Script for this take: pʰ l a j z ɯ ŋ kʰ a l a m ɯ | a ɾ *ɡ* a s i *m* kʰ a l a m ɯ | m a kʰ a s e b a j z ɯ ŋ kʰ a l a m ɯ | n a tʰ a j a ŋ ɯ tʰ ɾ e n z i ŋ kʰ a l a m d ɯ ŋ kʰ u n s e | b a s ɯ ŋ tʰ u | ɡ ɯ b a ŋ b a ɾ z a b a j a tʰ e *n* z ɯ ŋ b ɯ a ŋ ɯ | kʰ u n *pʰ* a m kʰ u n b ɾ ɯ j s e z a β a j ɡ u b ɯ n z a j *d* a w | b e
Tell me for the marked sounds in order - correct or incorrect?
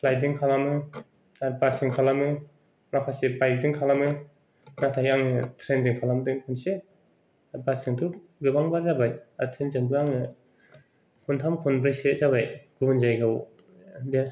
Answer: incorrect: b, incorrect: ŋ, correct, incorrect: tʰ, incorrect: ɡ

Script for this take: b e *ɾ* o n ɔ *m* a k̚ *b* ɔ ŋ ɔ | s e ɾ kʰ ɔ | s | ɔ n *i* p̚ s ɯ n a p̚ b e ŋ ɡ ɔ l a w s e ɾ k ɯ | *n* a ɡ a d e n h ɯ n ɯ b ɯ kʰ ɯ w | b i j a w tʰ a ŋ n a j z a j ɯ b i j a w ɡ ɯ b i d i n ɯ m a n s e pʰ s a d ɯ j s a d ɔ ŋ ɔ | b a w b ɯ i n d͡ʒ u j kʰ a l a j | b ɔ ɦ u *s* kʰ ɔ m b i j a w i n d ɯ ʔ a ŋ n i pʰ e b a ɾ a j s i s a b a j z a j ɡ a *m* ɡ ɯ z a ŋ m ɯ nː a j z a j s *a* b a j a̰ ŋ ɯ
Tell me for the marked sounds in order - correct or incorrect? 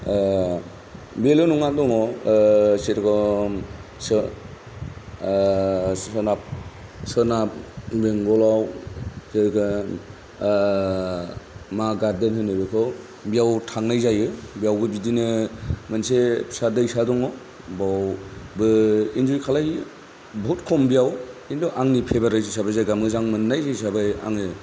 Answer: incorrect: l, incorrect: ŋ, incorrect: d, incorrect: a, incorrect: m, incorrect: t, correct, correct

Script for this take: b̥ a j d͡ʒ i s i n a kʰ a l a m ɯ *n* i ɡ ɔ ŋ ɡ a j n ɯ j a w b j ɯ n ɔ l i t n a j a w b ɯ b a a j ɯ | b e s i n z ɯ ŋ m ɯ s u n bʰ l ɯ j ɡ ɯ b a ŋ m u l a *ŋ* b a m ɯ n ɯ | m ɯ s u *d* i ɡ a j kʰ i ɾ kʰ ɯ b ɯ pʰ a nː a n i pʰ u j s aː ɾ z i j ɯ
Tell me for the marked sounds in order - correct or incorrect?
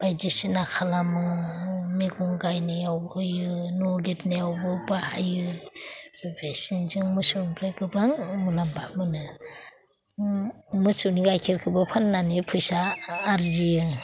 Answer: incorrect: m, incorrect: m, incorrect: n

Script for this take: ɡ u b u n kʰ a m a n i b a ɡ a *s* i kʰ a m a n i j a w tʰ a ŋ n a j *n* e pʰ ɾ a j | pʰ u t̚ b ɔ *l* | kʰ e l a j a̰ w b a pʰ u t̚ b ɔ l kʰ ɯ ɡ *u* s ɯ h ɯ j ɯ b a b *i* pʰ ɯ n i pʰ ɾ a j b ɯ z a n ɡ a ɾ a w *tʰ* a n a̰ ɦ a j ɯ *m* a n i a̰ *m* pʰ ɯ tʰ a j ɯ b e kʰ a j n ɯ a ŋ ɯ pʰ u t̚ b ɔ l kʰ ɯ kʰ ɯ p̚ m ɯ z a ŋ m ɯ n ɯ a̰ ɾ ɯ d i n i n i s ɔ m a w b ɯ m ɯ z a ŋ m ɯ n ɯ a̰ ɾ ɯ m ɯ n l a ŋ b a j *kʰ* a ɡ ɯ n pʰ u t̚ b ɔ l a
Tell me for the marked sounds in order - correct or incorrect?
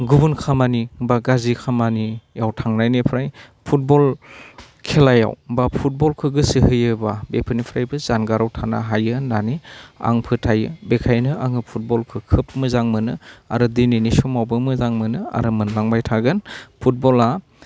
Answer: incorrect: z, correct, correct, incorrect: ɯ, incorrect: e, correct, incorrect: n, incorrect: ŋ, incorrect: tʰ

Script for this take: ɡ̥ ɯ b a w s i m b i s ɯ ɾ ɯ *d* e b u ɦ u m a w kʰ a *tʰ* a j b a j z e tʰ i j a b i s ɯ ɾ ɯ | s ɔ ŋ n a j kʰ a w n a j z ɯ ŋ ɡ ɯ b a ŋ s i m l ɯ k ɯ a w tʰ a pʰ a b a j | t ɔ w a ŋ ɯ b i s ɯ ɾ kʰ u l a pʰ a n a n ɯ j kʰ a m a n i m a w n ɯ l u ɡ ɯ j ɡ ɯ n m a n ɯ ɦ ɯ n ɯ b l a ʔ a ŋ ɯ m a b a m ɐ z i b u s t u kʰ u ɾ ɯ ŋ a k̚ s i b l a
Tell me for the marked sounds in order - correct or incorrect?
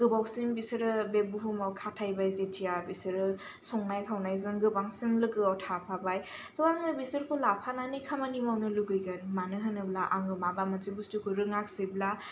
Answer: incorrect: b, correct

